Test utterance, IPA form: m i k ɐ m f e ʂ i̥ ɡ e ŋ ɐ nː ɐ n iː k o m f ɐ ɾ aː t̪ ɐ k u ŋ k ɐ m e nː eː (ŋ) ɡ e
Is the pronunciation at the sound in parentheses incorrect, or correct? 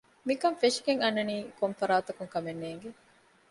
correct